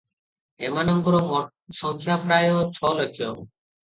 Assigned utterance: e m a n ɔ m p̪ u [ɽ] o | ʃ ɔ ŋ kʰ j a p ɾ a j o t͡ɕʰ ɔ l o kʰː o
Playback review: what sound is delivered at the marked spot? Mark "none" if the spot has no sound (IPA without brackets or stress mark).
ɾ